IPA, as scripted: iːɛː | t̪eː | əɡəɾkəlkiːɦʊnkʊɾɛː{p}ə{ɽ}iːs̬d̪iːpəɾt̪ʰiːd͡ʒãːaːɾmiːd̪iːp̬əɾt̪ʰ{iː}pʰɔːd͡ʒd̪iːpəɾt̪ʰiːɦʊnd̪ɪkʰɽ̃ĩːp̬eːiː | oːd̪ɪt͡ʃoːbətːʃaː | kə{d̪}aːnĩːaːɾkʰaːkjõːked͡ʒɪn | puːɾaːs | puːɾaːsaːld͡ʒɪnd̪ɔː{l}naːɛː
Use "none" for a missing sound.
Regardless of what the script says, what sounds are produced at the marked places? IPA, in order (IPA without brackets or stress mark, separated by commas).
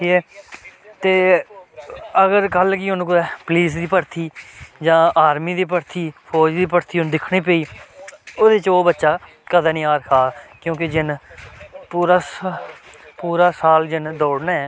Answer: p, l, iː, d̪, ɽ